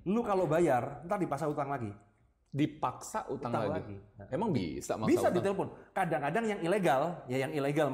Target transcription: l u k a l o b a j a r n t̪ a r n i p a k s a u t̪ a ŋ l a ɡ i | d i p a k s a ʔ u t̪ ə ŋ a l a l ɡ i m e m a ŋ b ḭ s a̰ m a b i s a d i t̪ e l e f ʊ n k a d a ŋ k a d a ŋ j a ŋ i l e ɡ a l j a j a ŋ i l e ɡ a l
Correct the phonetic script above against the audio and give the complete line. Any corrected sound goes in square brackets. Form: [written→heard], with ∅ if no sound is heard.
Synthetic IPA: l u k a l o b a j a r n t̪ a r [n→d] i p a k s a u t̪ a ŋ l a ɡ i | d i p a k s a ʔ u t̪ [ə→a] ŋ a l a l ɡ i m e m a ŋ b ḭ s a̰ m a b i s a d i t̪ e l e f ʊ n k a d a ŋ k a d a ŋ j a ŋ i l e ɡ a l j a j a ŋ i l e ɡ a l